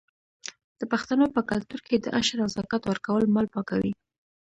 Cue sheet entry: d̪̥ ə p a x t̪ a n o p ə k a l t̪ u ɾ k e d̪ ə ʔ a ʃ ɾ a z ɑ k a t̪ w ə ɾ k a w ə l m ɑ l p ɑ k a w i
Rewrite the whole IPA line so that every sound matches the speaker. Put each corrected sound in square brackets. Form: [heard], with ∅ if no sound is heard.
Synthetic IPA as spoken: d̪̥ ə p a x t̪ a n o p ə k a l t̪ u ɾ k e d̪ ə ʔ a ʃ ɾ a z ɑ k a t̪ w ə ɾ k a w ə l m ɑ l p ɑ k a w i